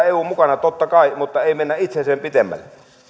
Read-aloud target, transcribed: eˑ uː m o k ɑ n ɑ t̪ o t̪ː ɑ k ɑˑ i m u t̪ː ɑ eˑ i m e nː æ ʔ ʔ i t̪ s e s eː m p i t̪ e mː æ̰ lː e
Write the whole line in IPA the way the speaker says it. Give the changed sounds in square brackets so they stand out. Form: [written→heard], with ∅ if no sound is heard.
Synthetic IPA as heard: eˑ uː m [o→u] k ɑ n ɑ t̪ o t̪ː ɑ k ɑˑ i m u t̪ː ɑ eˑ i m e nː æ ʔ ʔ i t̪ s e s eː m p i t̪ e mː æ̰ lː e